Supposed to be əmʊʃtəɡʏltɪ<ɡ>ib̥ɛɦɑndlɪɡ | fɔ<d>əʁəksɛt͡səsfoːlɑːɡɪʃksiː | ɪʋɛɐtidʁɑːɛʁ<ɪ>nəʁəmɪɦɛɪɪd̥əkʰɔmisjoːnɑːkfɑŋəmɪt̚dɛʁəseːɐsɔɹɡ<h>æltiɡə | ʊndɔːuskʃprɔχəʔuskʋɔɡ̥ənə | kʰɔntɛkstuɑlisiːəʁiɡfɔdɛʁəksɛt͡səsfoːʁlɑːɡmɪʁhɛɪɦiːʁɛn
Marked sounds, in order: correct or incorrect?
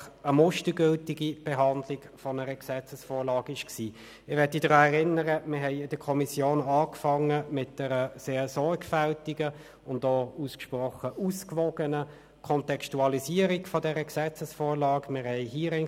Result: correct, incorrect: n, correct, incorrect: f

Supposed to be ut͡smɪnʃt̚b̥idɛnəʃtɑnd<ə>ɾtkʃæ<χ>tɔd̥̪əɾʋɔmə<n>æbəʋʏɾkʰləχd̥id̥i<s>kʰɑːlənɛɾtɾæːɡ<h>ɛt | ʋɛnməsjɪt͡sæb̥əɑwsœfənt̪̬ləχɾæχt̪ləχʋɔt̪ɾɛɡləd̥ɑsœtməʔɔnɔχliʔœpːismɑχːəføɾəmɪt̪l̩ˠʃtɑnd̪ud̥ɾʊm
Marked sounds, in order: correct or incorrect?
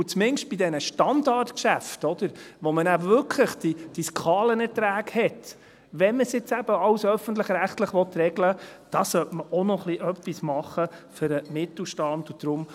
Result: incorrect: ɑ, incorrect: f, correct, correct, correct

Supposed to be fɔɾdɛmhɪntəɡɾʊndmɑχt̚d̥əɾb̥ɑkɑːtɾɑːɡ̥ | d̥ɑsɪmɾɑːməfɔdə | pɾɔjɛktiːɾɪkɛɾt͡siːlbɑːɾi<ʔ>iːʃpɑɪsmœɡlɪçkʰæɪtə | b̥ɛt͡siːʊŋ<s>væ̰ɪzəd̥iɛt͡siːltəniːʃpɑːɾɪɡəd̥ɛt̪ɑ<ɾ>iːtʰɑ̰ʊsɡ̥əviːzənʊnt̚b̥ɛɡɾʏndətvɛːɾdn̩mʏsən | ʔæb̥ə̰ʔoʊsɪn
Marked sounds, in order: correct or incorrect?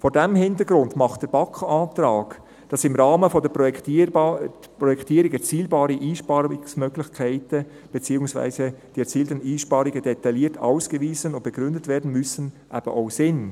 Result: correct, correct, incorrect: l

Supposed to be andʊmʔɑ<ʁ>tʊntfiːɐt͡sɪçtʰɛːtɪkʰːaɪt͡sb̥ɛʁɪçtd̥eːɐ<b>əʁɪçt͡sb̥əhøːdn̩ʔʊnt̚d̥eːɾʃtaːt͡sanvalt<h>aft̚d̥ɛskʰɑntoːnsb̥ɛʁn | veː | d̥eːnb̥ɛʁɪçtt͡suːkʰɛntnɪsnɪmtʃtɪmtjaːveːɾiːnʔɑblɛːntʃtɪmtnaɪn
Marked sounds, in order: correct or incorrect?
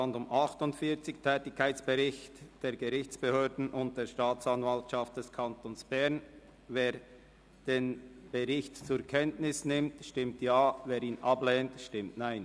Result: incorrect: χ, incorrect: ɡ, incorrect: ʃ

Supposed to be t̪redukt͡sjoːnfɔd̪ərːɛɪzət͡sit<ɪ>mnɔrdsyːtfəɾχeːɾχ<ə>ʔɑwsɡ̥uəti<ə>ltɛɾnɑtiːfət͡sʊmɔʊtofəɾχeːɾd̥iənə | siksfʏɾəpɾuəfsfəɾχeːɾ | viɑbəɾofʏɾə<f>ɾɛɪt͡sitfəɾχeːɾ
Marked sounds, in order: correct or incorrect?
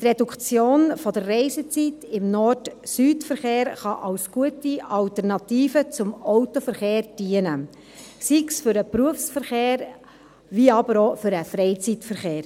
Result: correct, incorrect: ɑ, incorrect: ɑ, correct

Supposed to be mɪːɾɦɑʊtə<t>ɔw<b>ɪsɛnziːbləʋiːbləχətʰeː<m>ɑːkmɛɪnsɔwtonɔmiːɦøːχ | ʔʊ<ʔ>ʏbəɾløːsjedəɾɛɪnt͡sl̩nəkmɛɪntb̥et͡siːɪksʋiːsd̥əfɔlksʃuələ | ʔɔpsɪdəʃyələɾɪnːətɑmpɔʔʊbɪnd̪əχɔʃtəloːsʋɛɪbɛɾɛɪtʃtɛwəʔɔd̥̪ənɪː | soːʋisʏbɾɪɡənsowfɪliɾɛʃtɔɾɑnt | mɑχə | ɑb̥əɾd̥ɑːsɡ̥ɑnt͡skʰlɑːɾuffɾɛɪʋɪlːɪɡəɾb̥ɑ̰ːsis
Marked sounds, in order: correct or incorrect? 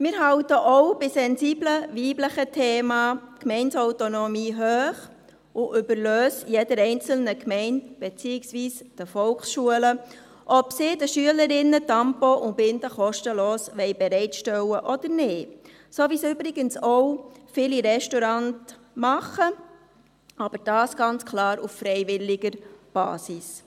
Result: incorrect: ʔ, correct, correct, correct

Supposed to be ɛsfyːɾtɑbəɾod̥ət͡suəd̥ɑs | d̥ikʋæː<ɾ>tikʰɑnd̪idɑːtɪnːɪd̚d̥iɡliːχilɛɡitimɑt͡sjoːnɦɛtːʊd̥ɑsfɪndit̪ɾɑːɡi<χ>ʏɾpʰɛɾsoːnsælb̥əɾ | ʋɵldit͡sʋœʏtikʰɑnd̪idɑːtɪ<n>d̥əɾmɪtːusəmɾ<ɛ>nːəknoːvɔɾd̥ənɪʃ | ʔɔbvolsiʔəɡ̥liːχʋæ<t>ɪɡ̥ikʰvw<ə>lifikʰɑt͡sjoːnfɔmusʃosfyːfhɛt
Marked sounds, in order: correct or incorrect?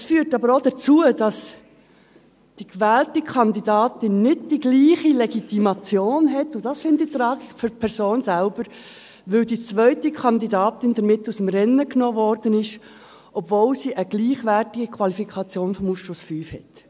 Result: incorrect: l, incorrect: f, correct, correct, correct, incorrect: ɑ

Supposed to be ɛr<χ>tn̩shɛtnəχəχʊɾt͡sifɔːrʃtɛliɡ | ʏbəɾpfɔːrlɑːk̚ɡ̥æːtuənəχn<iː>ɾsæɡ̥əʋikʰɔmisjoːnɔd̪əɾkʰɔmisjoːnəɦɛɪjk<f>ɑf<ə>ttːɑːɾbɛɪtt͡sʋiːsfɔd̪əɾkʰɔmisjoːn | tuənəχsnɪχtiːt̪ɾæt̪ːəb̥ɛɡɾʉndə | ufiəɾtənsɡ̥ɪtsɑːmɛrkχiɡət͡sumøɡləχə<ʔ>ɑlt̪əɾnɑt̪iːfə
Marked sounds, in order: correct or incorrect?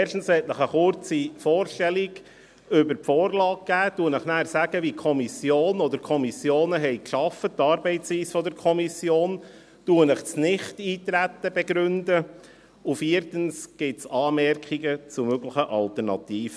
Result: incorrect: ʃ, incorrect: æː, incorrect: ʃ, correct, correct

